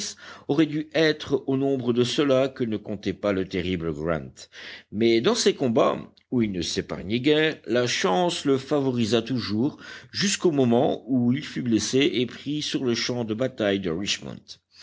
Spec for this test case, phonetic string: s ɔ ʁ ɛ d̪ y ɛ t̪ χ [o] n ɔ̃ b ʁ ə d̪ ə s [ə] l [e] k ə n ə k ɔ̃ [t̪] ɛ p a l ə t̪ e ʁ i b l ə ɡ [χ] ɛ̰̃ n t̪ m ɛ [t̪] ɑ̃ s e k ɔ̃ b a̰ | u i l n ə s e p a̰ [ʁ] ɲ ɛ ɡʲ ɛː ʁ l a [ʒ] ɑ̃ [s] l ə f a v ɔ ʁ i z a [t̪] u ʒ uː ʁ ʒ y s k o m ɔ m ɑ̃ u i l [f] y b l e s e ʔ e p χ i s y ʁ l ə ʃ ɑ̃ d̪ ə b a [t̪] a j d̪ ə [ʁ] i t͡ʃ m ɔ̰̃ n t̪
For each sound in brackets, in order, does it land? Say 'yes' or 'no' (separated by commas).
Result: yes, yes, no, yes, no, no, yes, no, yes, yes, yes, yes, yes